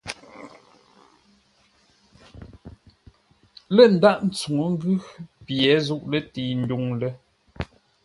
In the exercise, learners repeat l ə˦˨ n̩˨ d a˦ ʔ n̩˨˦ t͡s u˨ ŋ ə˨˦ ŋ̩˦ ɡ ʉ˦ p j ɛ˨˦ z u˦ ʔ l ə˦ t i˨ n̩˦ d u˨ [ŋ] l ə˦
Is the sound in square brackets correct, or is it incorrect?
correct